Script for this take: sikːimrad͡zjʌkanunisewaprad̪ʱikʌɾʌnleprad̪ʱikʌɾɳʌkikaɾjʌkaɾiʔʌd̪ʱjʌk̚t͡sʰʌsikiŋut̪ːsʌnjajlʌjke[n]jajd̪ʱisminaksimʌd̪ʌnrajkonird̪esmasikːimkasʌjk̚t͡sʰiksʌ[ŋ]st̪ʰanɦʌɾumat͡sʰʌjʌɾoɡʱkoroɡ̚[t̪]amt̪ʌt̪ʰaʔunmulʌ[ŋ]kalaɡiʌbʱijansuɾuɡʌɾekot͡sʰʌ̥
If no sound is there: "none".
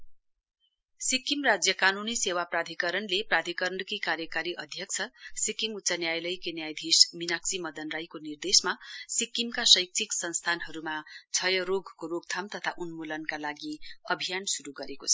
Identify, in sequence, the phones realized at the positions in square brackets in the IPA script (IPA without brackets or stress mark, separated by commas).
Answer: n, n, t̪ʰ, n